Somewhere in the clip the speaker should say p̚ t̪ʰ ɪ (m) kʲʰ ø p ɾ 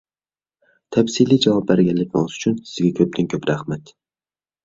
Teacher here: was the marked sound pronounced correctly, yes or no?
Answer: no